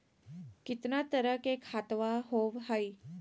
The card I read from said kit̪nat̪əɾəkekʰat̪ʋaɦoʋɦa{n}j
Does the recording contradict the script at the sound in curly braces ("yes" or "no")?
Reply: yes